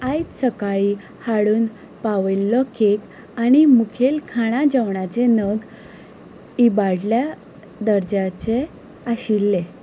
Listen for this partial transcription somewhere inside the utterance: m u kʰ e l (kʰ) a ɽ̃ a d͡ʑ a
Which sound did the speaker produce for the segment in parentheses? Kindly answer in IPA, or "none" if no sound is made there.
kʰ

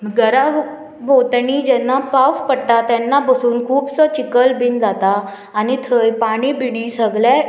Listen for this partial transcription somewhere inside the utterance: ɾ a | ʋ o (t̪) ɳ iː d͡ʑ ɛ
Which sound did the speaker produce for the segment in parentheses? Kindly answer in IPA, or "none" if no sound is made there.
t̪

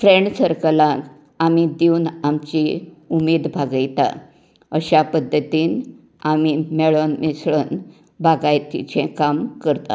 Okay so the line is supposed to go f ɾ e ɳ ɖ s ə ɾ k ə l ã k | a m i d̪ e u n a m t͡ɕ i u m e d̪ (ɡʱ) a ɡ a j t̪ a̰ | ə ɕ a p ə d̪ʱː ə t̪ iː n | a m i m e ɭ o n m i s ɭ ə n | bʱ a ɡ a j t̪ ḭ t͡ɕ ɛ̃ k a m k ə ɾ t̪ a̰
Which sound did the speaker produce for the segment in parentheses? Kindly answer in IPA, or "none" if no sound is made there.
bʱ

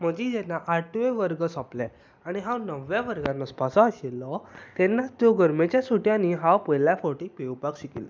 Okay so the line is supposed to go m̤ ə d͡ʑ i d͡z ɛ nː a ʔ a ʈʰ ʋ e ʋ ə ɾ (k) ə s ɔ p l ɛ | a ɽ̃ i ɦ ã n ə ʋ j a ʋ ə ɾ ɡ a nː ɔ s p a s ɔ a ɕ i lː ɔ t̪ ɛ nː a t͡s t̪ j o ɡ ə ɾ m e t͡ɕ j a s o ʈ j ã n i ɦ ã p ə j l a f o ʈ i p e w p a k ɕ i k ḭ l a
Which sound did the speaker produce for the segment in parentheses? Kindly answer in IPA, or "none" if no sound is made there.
ɡ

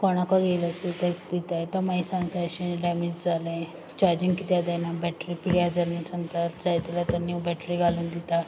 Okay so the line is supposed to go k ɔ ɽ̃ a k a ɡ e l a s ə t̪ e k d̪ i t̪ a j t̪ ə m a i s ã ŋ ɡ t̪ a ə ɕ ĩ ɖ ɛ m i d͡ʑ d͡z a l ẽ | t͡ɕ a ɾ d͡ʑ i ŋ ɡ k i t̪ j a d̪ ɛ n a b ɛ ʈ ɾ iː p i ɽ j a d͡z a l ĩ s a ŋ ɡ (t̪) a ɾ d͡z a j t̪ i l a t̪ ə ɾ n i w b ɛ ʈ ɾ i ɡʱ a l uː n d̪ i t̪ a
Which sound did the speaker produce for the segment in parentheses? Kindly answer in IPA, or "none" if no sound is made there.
t̪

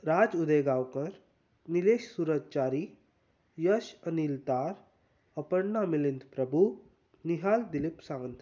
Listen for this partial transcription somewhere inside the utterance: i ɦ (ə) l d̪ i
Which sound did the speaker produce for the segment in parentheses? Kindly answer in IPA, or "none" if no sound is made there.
a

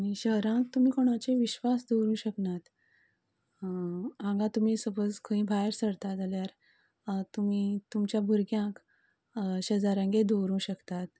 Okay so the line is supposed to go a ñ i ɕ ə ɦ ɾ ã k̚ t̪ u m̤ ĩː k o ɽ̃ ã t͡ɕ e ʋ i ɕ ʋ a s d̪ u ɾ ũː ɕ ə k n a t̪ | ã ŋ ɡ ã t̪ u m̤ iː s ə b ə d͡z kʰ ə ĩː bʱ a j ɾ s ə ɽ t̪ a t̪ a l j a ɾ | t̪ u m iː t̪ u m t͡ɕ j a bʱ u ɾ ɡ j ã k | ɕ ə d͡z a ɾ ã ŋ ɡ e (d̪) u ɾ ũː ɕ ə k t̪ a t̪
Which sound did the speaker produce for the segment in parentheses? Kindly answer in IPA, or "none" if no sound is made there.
d̪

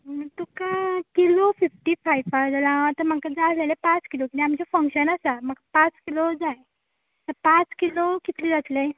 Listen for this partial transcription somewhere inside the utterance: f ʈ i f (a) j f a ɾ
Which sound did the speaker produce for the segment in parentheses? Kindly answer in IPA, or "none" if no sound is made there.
a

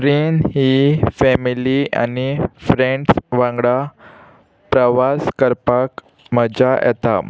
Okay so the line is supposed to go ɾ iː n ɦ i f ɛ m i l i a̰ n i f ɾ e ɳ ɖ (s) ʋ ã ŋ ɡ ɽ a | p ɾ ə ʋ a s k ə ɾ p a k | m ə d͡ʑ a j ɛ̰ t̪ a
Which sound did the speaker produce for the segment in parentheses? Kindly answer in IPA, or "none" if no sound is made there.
s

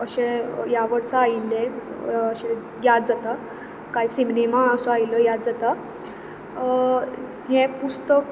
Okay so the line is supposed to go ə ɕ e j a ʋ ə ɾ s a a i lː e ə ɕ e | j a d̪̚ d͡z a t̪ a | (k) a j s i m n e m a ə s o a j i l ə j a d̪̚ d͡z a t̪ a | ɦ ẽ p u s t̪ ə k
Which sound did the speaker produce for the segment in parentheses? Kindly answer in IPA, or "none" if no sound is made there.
k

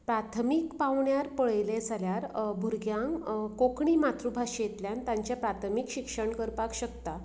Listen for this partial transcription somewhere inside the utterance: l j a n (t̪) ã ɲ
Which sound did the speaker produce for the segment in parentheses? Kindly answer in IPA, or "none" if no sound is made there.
t̪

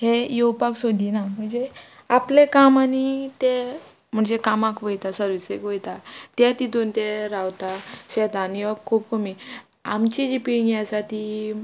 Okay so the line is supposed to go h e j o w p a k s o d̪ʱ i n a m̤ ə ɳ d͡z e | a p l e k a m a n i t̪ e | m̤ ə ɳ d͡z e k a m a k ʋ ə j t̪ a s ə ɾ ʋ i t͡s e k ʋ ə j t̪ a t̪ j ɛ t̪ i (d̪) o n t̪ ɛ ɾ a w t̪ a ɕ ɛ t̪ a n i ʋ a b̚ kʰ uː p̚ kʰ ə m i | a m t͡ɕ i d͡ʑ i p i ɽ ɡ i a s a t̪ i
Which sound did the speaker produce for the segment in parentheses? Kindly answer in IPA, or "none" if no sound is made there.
d̪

